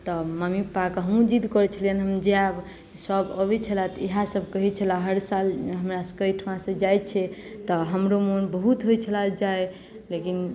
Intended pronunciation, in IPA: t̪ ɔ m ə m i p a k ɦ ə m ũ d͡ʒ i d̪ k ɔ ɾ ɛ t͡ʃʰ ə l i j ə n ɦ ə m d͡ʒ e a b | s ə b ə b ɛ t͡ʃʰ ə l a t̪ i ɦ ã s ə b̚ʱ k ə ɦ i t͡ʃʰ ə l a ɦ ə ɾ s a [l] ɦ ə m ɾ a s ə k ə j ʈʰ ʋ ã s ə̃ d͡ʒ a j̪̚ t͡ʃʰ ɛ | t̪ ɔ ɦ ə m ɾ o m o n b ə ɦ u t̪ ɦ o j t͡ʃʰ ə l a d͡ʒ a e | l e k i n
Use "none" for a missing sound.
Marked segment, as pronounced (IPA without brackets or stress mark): l